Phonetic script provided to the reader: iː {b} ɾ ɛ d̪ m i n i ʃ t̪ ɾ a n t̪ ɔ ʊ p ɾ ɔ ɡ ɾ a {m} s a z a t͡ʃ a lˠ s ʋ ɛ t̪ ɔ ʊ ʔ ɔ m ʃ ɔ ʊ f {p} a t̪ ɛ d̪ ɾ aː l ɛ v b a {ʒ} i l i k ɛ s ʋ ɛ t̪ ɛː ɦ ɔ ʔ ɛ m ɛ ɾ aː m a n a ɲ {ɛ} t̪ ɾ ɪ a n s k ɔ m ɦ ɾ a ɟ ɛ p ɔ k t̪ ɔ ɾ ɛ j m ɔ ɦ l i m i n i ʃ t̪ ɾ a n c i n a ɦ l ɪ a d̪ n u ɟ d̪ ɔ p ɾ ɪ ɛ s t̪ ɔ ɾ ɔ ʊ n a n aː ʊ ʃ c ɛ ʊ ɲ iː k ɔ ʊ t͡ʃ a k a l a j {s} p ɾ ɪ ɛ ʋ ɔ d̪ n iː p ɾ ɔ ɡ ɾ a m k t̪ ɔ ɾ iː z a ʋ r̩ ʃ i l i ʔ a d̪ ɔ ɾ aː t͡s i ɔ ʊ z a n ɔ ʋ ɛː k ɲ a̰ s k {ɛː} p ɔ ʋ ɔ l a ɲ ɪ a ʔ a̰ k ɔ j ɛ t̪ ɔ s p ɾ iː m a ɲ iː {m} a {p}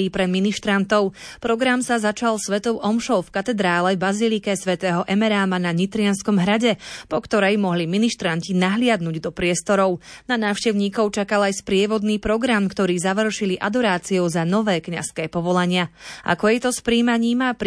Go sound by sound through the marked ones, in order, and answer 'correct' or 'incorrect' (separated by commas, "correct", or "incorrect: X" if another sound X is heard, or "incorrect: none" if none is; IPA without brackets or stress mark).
incorrect: p, correct, incorrect: k, incorrect: z, incorrect: i, correct, correct, correct, correct